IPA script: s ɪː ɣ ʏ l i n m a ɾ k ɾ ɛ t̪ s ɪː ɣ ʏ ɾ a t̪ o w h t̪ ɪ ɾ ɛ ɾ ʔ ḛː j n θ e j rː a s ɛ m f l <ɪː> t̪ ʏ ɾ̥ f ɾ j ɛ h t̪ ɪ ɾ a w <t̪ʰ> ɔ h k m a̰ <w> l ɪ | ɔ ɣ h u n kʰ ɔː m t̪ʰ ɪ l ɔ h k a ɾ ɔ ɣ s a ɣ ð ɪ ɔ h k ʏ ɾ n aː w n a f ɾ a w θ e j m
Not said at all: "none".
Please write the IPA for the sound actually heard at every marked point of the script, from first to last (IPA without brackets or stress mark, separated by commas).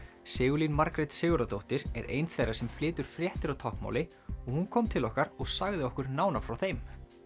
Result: ɪː, t̪ʰ, w